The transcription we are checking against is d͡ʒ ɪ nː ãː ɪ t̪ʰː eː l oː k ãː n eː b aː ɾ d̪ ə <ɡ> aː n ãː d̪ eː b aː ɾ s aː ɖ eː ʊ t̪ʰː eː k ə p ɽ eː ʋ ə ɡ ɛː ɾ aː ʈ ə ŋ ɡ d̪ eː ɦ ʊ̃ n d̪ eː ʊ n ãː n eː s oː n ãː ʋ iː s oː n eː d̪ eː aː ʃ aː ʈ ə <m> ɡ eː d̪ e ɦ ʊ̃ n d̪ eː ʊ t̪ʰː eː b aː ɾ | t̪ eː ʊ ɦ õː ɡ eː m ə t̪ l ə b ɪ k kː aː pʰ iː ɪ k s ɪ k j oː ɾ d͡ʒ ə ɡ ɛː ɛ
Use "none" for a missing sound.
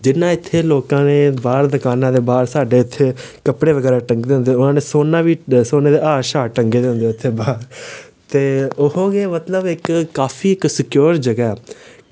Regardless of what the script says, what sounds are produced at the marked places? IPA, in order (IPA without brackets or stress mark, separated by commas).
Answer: k, ŋ